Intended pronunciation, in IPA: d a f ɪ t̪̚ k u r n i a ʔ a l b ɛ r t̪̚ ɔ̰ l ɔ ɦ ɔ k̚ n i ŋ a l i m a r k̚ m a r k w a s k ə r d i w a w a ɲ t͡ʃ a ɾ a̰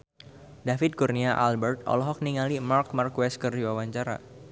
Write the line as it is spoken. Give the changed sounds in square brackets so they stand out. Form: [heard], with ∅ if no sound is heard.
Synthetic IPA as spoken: d a f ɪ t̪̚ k u r n i a ʔ a l b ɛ r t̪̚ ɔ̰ l ɔ ɦ ɔ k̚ n i ŋ a l i m a r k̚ m a r k w [ɛ] s k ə r d i w a w a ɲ t͡ʃ a ɾ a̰